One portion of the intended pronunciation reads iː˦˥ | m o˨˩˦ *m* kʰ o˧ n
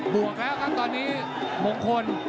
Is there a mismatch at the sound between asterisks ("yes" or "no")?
yes